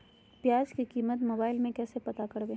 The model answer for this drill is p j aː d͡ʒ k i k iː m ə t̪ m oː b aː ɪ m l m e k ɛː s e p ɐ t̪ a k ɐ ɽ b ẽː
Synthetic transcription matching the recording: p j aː d͡ʒ k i k iː m ə t̪ m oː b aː ɪ l m ẽ k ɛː s e p ɐ t̪ a k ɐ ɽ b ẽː